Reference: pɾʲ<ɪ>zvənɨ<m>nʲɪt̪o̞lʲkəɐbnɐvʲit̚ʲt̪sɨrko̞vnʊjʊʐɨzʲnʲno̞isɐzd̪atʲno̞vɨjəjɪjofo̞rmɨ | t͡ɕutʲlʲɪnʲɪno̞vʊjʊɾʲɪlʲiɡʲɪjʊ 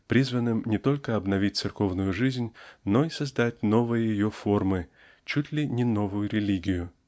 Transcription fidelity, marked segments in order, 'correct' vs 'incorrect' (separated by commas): incorrect, correct